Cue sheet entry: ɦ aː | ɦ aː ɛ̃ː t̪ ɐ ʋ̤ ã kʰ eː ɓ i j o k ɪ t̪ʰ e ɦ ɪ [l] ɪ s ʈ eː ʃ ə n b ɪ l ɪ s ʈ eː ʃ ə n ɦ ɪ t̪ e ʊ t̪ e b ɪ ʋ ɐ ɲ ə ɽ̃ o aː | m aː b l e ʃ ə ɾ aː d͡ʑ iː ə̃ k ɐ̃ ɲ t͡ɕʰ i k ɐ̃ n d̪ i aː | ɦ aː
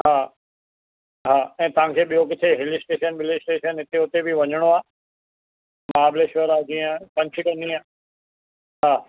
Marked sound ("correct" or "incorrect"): correct